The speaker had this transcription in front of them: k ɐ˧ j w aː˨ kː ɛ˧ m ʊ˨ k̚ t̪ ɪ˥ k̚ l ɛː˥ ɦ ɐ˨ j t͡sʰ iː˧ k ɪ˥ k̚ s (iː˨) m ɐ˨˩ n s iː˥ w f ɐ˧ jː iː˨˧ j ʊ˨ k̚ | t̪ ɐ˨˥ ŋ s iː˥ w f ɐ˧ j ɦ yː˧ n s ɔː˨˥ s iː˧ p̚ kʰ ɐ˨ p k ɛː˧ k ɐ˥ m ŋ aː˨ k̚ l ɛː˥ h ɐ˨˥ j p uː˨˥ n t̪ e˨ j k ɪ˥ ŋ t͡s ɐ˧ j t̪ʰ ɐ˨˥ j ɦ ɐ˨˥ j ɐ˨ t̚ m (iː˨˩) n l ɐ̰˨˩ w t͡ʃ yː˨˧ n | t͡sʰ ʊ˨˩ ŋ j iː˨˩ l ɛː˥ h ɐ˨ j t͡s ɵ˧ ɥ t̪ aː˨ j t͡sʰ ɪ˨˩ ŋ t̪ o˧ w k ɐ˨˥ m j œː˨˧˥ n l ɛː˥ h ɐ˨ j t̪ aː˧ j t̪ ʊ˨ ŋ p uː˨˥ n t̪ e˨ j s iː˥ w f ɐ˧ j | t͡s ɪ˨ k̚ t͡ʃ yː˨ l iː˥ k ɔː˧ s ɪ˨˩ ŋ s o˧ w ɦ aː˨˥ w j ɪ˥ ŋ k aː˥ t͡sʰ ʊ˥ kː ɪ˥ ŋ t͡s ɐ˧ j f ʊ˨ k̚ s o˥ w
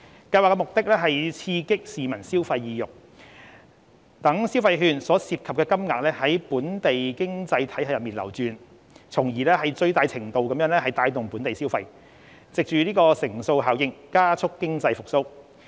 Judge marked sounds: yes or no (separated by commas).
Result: yes, yes